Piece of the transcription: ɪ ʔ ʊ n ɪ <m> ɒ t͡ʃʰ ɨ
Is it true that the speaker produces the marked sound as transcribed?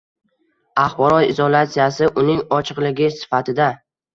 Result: no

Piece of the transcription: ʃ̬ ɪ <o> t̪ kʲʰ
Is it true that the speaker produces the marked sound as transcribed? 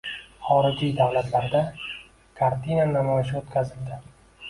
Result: yes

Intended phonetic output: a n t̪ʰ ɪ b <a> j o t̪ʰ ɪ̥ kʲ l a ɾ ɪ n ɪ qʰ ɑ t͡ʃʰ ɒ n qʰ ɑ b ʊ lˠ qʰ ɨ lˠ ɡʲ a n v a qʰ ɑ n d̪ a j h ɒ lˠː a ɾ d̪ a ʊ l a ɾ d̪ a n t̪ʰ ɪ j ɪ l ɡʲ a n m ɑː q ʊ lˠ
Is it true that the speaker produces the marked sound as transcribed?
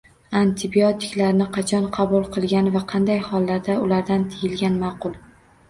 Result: no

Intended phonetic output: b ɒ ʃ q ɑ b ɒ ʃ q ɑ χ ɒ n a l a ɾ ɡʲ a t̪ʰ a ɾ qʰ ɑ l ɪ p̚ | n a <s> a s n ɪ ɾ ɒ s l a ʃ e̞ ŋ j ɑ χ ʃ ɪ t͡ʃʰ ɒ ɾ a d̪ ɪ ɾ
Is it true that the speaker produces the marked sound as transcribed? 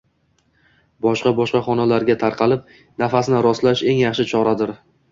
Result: no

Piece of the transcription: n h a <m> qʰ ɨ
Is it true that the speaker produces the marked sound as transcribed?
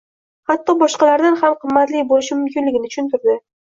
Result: yes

